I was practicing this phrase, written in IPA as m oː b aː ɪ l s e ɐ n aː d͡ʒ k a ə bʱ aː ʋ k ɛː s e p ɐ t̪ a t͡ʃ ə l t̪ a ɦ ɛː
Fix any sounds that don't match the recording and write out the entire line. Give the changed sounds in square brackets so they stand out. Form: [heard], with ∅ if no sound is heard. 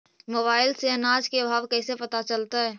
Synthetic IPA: m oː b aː ɪ l s e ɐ n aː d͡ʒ k [e] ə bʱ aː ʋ k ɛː s e p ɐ t̪ a t͡ʃ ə l t̪ a ɦ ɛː

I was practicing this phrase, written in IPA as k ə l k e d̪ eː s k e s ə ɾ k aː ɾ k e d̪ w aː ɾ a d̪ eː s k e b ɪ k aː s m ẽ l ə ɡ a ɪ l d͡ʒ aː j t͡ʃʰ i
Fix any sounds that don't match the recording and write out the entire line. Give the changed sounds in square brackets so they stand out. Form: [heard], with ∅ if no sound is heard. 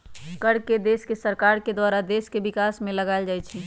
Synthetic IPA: k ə [ɽ] k e d̪ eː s k e s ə ɾ k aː ɾ k e d̪ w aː ɾ a d̪ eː s k e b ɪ k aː s m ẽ l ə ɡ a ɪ l d͡ʒ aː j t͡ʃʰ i

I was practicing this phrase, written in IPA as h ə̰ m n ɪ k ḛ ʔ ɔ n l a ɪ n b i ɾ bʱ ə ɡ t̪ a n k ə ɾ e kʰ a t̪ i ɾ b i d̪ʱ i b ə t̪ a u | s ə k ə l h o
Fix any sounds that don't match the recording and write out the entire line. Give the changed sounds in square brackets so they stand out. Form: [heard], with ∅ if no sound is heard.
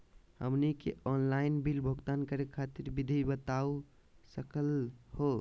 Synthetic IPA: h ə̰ m n [i] k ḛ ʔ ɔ n l a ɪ n b i [l] bʱ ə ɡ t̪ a n k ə ɾ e kʰ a t̪ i ɾ b i d̪ʱ i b ə t̪ a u | s ə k ə l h o

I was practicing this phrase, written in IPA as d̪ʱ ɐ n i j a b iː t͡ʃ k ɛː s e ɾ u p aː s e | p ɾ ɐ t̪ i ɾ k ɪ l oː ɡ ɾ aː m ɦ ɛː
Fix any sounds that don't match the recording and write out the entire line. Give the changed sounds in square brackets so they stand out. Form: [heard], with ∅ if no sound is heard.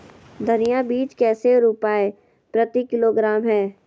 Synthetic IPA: d̪ʱ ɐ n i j a b iː t͡ʃ k ɛː s e ɾ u p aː [∅] e | p ɾ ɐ t̪ i [∅] k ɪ l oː ɡ ɾ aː m ɦ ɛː

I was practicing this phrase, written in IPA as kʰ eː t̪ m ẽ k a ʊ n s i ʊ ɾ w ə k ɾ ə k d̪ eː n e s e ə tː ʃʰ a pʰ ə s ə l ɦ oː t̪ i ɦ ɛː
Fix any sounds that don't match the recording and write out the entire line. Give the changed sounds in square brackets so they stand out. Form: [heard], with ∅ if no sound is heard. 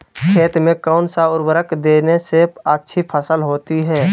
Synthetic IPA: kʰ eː t̪ m ẽ k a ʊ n s [a] ʊ ɾ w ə [∅] ɾ ə k d̪ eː n e s e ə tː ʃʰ [i] pʰ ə s ə l ɦ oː t̪ i ɦ ɛː

